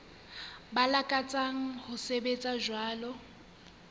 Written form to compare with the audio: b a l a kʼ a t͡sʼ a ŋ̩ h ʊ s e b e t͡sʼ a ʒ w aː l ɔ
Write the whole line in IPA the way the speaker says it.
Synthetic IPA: b a l a kʼ a t͡sʼ a ŋ̩ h ʊ s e b e t͡sʼ a ʒ w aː l ɔ